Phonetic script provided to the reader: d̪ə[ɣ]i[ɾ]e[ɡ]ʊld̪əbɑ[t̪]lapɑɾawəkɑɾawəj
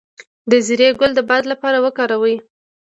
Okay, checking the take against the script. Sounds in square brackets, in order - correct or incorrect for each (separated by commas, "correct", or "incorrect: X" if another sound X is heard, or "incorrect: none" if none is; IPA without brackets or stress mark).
incorrect: z, correct, correct, incorrect: d̪